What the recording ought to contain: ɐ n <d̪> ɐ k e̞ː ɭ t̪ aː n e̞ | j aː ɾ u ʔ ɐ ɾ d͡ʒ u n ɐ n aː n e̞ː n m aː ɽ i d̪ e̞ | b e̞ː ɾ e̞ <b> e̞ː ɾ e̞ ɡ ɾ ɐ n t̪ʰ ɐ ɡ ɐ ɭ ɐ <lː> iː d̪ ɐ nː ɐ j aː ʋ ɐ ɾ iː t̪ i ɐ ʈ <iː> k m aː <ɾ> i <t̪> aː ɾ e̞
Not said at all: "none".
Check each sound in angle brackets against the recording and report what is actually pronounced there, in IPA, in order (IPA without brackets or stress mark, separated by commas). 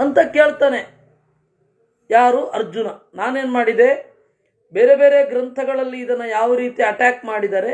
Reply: t̪, b, lː, aː, ɽ, d̪